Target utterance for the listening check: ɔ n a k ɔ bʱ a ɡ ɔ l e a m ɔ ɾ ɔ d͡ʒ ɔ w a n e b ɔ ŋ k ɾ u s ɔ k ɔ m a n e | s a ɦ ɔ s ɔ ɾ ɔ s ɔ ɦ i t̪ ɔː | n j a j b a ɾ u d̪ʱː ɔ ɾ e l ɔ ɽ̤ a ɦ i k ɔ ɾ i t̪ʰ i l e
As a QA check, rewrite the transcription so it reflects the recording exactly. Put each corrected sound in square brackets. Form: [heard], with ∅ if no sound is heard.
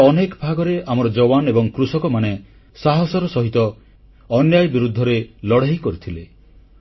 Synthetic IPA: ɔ n [e] k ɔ bʱ a ɡ ɔ [ɾ] e a m ɔ ɾ ɔ d͡ʒ ɔ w a n e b ɔ ŋ k ɾ u s ɔ k ɔ m a n e | s a ɦ ɔ s ɔ ɾ ɔ s ɔ ɦ i t̪ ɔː | n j a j b [i] ɾ u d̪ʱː ɔ ɾ e l ɔ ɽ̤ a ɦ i k ɔ ɾ i t̪ʰ i l e